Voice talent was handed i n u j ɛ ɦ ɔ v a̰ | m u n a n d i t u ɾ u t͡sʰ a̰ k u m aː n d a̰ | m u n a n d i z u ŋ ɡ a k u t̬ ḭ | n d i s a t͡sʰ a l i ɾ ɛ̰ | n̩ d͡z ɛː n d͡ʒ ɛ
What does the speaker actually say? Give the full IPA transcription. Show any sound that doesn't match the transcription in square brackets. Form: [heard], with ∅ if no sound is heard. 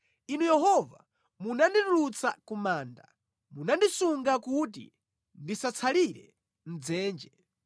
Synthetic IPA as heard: i n u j ɛ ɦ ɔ v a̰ | m u n a n d i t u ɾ u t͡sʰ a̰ k u m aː n d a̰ | m u n a n d i [s] u ŋ ɡ a k u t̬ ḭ | n d i s a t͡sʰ a l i ɾ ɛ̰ | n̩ d͡z ɛː n d͡ʒ ɛ